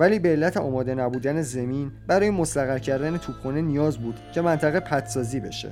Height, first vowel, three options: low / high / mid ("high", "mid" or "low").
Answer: low